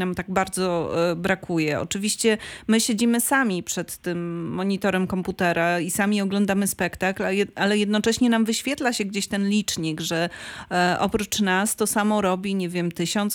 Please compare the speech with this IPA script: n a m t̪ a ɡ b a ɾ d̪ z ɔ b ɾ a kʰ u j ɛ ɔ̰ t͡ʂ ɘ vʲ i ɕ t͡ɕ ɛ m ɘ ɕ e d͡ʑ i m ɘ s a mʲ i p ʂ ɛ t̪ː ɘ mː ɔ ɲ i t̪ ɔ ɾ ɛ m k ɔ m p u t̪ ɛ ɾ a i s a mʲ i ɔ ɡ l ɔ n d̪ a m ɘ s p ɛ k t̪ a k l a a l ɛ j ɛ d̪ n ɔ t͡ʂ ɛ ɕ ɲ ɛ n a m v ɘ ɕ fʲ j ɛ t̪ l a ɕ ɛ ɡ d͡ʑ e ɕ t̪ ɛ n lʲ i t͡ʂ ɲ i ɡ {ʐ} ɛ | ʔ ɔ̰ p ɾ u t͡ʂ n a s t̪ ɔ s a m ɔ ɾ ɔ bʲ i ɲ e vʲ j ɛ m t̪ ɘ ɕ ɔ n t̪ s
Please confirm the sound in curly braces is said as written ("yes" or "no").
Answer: yes